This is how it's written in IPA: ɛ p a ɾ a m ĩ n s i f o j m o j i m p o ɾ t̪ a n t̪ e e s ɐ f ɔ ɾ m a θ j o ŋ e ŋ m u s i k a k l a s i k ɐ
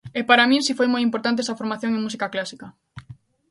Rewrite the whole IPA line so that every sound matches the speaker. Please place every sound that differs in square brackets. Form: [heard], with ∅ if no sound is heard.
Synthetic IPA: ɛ p a ɾ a m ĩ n s i f o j m o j i m p o ɾ t̪ a n t̪ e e s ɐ f [o] ɾ m a θ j o ŋ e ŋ m u s i k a k l a s i k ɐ